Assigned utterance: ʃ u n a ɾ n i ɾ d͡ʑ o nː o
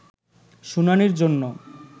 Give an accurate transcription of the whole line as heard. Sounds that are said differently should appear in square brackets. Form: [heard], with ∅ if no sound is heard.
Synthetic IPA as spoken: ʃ u n a [∅] n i ɾ d͡ʑ o nː o